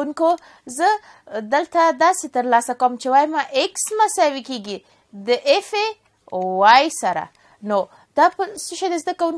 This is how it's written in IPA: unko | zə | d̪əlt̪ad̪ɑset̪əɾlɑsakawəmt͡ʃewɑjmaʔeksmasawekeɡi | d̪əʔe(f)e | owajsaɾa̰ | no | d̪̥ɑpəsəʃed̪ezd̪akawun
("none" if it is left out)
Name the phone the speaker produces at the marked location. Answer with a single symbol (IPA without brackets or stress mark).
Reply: f